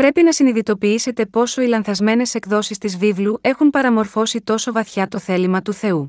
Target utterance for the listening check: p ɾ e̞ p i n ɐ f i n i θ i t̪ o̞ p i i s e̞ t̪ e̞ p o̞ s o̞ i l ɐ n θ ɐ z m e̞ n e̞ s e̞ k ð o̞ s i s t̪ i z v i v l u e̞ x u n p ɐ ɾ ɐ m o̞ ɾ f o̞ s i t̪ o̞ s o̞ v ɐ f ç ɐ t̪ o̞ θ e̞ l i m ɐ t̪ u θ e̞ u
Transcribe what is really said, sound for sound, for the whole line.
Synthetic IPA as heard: p ɾ e̞ p i n ɐ s i n i ð i t̪ o̞ p i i s e̞ t̪ e̞ p o̞ s o̞ i l ɐ n θ ɐ z m e̞ n e̞ s e̞ k ð o̞ s i s t̪ i z v i v l u e̞ x u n p ɐ ɾ ɐ m o̞ ɾ f o̞ s i t̪ o̞ s o̞ v ɐ θ ç ɐ t̪ o̞ θ e̞ l i m ɐ t̪ u θ e̞ u